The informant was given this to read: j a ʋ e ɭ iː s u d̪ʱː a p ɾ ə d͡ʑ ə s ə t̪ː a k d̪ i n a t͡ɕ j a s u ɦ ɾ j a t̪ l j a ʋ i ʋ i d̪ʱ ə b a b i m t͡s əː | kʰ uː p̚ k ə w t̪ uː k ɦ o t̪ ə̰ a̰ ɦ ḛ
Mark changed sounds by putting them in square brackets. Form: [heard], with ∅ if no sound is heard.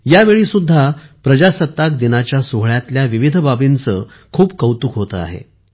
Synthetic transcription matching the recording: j a ʋ e ɭ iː s u d̪ʱː a p ɾ ə d͡ʑ [a] s ə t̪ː a k d̪ i n a t͡ɕ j a s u ɦ [ɭ] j a t̪ l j a ʋ i ʋ i d̪ʱ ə b a b i [n] t͡s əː | kʰ uː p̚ k ə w t̪ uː k ɦ o t̪ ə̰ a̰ ɦ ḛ